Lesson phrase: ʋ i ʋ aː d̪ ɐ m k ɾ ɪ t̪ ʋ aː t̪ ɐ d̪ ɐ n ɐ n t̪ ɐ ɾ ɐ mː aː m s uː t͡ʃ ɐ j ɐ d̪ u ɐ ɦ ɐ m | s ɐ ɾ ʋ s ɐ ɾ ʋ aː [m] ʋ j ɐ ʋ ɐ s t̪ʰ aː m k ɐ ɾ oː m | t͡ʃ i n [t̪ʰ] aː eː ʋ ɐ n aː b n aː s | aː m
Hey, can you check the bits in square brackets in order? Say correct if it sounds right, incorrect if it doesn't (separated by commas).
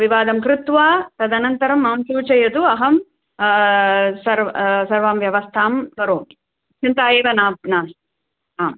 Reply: correct, incorrect